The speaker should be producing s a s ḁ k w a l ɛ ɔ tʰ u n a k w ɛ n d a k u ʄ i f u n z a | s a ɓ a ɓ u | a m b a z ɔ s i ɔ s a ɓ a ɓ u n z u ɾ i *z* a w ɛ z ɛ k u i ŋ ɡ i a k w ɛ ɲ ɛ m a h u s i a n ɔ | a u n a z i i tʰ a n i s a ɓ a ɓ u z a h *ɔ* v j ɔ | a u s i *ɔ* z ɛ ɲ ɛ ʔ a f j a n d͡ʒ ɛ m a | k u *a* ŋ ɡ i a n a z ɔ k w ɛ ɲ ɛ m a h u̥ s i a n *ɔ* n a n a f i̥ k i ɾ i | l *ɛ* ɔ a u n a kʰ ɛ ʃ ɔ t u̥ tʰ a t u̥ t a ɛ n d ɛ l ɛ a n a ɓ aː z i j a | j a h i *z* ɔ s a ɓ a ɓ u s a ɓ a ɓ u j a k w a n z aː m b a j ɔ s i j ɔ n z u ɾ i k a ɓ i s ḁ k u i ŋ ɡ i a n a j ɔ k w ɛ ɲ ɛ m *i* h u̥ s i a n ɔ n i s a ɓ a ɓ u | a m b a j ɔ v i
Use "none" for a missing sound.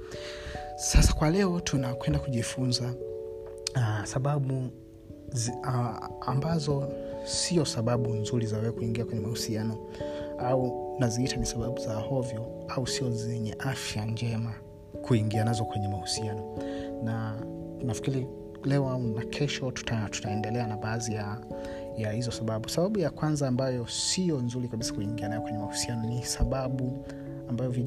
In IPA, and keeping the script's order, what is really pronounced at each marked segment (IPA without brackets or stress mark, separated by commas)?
z, ɔ, ɔ, i, ɔ, ɛ, z, a